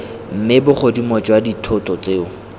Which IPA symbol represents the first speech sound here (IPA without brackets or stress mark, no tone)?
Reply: m̩